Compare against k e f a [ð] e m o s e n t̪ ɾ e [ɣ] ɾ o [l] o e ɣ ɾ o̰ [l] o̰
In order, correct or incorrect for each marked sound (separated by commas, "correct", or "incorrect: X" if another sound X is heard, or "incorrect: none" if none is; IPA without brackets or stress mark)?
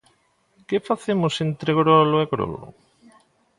incorrect: θ, correct, correct, correct